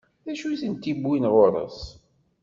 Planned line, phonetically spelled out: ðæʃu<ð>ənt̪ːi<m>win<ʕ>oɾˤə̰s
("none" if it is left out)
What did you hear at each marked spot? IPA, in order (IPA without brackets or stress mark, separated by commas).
θ, b, ʁ